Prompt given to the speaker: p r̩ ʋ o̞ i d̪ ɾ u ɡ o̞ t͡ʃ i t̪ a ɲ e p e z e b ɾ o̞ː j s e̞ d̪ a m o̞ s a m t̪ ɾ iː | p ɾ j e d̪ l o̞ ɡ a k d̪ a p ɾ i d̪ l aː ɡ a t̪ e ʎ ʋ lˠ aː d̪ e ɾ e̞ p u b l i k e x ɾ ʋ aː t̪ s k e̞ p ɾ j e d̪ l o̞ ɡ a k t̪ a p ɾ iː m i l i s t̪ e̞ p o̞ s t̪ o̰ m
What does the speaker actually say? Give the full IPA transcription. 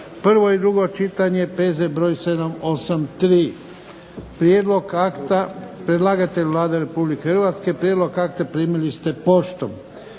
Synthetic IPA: p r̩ ʋ o̞ i d̪ ɾ u ɡ o̞ t͡ʃ i t̪ a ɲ e p e z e b ɾ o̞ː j s e̞ d̪ a m o̞ s a m t̪ ɾ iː | p ɾ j e d̪ l o̞ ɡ a k t̪ a p ɾ e d̪ l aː ɡ a t̪ e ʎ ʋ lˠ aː d̪ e ɾ e̞ p u b l i k e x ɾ ʋ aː t̪ s k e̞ p ɾ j e d̪ l o̞ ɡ a k t̪ a p ɾ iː m i l i s t̪ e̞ p o̞ ʃ t̪ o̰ m